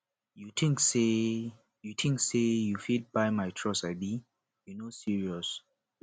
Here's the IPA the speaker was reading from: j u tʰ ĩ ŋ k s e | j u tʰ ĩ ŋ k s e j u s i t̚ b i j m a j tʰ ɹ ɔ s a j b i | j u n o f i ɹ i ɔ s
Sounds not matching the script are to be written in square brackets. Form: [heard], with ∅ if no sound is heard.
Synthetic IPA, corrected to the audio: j u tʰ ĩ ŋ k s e | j u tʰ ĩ ŋ k s e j u [f] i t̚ b [a] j m a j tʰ ɹ ɔ s a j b i | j u n o [s] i ɹ i ɔ s